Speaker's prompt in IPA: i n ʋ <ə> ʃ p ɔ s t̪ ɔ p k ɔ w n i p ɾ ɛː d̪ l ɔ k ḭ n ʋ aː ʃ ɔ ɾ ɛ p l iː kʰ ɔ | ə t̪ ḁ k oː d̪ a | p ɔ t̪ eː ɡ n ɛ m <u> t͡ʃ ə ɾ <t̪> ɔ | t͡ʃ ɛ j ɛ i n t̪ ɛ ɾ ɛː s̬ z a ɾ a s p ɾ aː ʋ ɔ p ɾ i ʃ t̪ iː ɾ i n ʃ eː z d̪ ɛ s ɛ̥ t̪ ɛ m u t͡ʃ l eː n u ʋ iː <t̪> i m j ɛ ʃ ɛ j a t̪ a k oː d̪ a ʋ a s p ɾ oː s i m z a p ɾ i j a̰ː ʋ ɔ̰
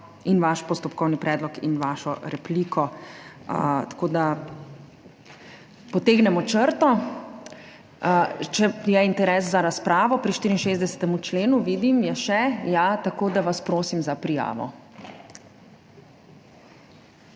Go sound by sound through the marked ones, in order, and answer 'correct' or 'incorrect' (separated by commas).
incorrect, incorrect, correct, incorrect